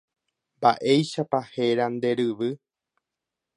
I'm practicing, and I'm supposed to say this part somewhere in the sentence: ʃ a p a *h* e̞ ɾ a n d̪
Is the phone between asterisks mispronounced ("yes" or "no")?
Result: no